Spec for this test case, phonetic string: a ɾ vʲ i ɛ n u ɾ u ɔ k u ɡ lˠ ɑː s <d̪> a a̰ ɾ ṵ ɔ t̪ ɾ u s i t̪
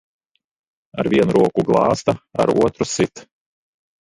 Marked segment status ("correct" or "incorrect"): incorrect